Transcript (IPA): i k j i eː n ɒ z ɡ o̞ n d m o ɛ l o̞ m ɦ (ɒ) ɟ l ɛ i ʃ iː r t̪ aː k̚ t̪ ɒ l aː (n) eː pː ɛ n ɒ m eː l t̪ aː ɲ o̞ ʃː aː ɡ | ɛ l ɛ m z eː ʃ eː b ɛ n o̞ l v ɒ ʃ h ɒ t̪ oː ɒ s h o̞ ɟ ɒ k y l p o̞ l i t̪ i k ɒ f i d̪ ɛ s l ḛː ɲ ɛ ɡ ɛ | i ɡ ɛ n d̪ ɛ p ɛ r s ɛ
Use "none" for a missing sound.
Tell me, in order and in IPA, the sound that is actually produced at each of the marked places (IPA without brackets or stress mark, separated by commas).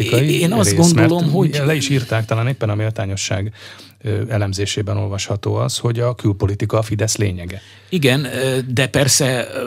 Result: o, n